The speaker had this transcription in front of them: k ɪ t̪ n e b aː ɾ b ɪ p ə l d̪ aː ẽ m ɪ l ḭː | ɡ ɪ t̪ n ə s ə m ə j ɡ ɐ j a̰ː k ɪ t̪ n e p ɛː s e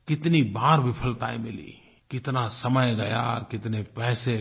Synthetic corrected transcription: k ɪ t̪ n i b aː ɾ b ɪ pʰ ə l t̪ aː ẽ m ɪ l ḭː | k ɪ t̪ n a s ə m ə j ɡ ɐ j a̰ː k ɪ t̪ n e p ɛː s e